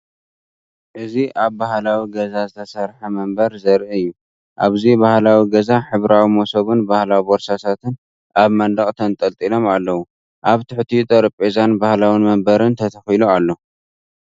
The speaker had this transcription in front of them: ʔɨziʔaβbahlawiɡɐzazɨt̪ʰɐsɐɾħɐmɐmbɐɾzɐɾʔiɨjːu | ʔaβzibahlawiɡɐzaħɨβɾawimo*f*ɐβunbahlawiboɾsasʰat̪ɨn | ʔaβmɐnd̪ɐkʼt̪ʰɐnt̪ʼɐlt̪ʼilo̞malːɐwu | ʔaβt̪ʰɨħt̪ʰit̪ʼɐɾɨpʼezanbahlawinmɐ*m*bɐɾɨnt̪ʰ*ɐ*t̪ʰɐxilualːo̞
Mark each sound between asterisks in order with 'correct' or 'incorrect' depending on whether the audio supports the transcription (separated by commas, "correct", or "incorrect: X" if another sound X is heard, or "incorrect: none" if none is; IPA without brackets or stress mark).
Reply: incorrect: s, correct, correct